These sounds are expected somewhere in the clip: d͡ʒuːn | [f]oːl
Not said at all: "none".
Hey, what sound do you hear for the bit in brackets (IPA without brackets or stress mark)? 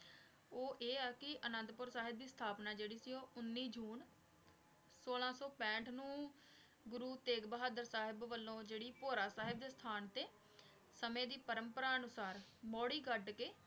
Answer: s